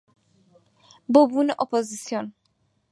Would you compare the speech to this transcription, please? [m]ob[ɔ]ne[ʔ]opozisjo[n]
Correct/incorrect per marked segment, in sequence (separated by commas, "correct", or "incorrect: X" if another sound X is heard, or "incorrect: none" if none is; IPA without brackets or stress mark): incorrect: b, incorrect: u, correct, correct